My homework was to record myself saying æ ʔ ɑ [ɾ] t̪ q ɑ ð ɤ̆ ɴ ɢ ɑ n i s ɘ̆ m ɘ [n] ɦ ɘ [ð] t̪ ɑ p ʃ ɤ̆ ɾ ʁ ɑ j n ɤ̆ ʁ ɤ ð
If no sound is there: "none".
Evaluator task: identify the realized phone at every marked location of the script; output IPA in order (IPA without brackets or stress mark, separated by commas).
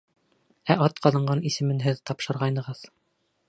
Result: none, n, ð